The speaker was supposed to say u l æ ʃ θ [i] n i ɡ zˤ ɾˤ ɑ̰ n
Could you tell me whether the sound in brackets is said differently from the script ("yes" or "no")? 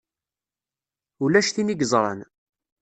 no